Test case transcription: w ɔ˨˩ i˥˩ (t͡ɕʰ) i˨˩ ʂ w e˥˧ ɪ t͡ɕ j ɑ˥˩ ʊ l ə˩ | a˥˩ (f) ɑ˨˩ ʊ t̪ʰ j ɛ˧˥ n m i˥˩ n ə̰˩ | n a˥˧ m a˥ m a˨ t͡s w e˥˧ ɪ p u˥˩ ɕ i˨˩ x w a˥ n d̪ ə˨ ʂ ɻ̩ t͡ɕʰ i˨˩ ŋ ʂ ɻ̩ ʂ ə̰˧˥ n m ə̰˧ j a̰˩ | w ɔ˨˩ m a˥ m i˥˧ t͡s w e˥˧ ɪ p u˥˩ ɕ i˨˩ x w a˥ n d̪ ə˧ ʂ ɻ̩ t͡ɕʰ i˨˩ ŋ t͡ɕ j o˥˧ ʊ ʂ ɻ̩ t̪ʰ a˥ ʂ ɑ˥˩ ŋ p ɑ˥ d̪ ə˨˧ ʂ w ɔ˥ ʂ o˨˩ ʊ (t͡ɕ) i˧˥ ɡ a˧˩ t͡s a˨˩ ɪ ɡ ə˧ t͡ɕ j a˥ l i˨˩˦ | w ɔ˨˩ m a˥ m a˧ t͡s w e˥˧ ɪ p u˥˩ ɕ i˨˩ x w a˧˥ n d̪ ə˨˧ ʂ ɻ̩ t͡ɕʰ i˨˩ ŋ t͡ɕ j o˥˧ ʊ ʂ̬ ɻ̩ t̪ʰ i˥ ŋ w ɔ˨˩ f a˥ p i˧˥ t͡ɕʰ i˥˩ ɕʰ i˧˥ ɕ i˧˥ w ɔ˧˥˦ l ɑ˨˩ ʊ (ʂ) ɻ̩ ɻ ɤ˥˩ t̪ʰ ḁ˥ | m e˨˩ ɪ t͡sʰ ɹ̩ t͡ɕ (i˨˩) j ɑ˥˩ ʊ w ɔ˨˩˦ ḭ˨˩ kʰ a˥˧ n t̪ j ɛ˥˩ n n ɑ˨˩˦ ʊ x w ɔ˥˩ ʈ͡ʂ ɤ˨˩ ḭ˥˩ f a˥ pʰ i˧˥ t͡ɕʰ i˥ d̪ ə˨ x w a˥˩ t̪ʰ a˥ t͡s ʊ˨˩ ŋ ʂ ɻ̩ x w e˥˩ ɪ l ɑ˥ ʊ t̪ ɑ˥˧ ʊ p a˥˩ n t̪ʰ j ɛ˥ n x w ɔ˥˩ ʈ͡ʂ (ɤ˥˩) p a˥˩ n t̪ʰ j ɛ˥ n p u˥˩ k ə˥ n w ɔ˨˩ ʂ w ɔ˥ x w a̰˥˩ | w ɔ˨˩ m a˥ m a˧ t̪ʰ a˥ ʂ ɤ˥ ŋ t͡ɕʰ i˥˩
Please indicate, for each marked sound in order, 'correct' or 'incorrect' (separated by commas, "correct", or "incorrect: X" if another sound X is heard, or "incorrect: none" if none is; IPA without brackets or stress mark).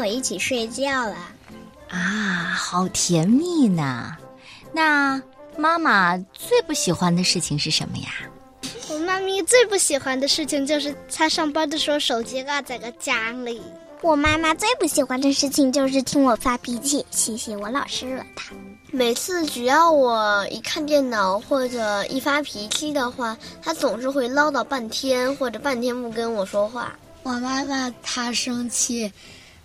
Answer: correct, incorrect: x, correct, correct, incorrect: y˨˩, incorrect: ɤ˨˩